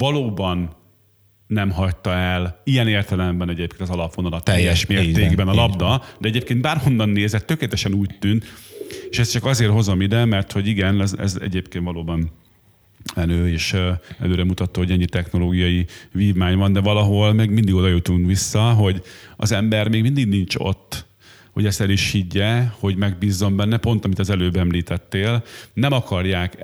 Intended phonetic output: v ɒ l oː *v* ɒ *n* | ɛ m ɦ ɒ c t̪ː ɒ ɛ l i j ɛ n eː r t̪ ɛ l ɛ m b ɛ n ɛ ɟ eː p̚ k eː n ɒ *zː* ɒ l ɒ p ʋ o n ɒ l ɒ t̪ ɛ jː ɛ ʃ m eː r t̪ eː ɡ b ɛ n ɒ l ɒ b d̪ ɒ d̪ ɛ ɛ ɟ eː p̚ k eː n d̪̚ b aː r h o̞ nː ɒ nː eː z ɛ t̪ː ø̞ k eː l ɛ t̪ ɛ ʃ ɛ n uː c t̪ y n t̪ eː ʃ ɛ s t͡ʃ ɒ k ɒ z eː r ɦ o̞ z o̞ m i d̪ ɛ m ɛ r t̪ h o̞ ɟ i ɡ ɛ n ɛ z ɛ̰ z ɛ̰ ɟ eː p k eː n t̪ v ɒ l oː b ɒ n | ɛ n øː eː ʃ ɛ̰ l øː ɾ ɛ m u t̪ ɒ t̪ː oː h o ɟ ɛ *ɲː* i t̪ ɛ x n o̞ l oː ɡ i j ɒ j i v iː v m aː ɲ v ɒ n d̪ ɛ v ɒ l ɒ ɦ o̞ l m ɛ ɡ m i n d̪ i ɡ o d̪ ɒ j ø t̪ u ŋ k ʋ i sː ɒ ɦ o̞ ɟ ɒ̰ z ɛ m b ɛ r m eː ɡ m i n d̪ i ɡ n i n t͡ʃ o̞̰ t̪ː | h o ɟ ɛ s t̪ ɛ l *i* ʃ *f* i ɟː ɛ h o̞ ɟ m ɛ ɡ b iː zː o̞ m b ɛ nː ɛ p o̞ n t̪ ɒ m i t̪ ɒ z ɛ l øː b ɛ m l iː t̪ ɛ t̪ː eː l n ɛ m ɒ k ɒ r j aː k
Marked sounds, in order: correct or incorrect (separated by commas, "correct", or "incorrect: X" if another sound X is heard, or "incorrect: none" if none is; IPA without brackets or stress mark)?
incorrect: b, incorrect: nː, incorrect: z, correct, correct, incorrect: h